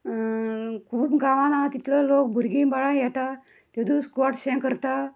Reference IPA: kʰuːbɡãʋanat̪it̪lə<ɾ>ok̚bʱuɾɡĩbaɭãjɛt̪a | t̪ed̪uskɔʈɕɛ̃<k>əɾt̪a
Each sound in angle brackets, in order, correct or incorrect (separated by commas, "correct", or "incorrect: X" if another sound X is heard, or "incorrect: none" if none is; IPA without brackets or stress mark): incorrect: l, correct